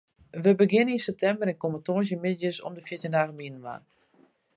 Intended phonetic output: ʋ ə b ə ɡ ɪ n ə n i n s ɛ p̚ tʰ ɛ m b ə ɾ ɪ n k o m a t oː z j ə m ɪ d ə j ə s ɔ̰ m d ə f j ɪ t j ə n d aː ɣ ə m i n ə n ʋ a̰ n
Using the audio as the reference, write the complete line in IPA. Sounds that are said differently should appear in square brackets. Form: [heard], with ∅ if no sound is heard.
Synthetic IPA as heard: ʋ ə b ə ɡ ɪ n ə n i n s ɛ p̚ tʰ ɛ m b ə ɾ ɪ n k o m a t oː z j ə m ɪ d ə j ə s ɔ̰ m d ə f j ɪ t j ə n d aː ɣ ə m i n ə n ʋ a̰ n